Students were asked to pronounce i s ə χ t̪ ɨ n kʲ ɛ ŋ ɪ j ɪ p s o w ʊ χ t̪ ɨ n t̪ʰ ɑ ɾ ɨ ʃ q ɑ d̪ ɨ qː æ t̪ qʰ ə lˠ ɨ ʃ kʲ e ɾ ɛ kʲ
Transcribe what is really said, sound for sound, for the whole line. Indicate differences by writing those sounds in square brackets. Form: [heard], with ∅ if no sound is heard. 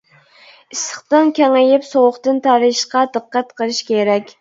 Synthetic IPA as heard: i s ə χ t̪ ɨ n kʲ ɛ ŋ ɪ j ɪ p s o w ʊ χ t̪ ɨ n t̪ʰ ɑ ɾ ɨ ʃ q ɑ d̪ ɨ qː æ t̪ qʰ ə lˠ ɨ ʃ kʲ e ɾ ɛ kʲ